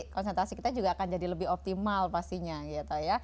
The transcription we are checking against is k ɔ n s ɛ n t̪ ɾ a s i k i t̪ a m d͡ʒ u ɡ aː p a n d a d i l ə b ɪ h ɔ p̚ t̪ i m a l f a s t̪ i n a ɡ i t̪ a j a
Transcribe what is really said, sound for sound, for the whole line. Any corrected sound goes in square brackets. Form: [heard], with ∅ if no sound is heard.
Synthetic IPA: k ɔ n s ɛ n t̪ ɾ a s i k i t̪ a [∅] d͡ʒ u ɡ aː [k] a n [d͡ʒ] a d i l ə b ɪ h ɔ p̚ t̪ i m a l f a s t̪ i [ɲ] a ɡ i t̪ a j a